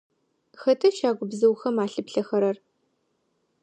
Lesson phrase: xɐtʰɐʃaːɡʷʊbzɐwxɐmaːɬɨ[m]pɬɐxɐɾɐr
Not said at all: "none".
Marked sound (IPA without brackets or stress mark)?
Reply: none